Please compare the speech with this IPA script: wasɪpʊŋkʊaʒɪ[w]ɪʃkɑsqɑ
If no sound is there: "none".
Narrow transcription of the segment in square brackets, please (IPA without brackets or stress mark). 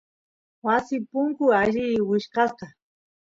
w